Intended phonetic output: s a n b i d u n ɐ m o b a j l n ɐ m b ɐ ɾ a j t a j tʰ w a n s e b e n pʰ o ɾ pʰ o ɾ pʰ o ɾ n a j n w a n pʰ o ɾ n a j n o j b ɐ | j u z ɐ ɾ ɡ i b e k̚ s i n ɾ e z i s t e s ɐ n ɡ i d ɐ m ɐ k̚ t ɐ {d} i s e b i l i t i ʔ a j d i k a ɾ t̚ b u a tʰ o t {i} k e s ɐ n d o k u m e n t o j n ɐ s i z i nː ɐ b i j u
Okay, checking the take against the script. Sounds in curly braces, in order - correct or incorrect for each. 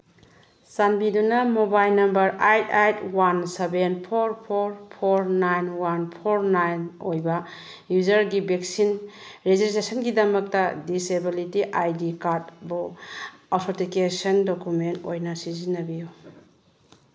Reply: correct, correct

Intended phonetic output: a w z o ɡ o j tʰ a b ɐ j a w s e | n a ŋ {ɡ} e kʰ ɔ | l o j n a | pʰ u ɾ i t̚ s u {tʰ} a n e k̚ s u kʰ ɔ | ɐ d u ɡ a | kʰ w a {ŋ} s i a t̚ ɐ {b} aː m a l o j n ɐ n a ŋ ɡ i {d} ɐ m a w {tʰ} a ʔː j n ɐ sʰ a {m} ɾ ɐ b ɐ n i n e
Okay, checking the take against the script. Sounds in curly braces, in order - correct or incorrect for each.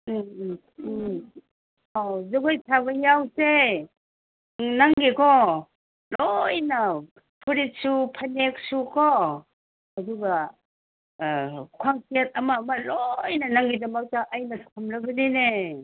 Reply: correct, incorrect: pʰ, correct, incorrect: m, correct, incorrect: t, correct

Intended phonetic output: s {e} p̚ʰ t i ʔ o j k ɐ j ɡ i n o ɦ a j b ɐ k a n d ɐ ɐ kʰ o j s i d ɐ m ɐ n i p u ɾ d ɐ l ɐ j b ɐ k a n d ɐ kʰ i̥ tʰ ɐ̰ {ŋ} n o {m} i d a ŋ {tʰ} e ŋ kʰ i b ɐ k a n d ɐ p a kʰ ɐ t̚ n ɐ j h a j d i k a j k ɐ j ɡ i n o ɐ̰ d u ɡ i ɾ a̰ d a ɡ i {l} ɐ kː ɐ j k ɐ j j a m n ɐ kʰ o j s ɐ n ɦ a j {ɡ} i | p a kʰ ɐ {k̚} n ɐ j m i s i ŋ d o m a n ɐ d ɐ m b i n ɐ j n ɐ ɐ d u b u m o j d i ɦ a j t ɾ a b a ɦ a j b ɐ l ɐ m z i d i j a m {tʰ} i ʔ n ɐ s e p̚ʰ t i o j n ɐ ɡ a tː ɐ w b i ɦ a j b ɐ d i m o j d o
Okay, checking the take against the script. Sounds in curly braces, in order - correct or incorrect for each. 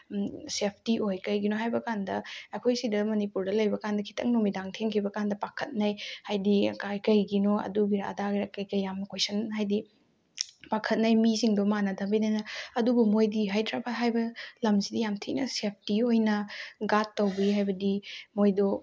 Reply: correct, correct, correct, correct, incorrect: ɾ, incorrect: d, incorrect: t̚, correct

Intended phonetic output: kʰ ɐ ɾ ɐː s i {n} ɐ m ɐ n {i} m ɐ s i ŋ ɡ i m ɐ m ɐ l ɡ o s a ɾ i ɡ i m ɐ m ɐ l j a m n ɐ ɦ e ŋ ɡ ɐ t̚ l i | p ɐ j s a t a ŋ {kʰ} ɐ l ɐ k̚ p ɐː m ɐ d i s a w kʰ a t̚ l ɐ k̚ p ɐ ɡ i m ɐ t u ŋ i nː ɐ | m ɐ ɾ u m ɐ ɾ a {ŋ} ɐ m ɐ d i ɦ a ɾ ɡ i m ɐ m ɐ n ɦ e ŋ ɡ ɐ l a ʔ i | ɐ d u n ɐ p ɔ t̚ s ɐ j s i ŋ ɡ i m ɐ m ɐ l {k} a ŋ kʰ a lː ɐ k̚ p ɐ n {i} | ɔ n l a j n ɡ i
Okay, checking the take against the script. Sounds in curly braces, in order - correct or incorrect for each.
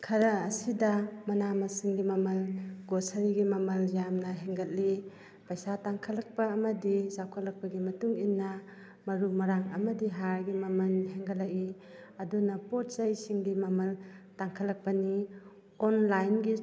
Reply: incorrect: d, incorrect: a, correct, correct, incorrect: t, correct

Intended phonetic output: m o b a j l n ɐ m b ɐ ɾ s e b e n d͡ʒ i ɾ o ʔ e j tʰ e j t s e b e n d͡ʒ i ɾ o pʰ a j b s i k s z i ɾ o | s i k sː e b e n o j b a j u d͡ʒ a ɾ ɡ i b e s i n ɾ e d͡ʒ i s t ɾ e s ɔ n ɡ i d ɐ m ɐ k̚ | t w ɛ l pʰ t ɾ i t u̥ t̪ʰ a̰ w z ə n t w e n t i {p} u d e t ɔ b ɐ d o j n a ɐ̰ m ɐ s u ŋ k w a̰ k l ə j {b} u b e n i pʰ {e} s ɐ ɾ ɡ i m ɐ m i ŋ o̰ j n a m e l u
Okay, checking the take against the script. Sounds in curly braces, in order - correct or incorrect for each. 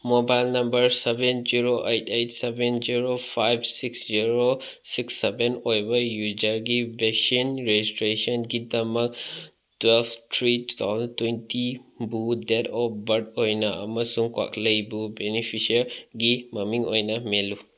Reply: incorrect: b, correct, incorrect: i

